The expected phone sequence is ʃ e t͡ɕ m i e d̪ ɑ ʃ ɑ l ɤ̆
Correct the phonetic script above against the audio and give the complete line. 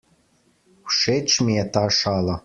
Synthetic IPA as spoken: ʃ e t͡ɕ m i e t̪ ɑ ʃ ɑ l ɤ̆